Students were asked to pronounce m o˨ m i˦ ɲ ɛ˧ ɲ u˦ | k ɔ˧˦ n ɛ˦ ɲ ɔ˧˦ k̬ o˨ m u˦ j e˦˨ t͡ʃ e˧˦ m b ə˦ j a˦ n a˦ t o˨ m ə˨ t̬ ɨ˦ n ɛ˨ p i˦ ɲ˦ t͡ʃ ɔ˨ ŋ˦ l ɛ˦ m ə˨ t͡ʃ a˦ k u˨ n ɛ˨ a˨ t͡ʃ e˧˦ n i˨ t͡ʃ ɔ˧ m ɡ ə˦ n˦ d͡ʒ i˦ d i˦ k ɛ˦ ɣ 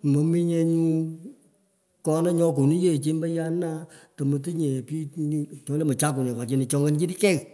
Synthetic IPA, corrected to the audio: m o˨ m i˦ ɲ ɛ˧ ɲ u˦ | k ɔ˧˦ n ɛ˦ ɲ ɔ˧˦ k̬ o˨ n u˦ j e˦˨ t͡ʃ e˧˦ m b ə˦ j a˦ n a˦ t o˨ m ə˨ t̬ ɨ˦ ɲ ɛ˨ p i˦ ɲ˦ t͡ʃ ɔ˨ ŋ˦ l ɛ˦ m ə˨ t͡ʃ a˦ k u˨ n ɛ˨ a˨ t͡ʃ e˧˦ n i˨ t͡ʃ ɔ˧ ŋ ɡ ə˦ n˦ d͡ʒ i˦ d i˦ k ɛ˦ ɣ